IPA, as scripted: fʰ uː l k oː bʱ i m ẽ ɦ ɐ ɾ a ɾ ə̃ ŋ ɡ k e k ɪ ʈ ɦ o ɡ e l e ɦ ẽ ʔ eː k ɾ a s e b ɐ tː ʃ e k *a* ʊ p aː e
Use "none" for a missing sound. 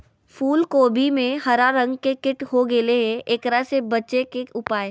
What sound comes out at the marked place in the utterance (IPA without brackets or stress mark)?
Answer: e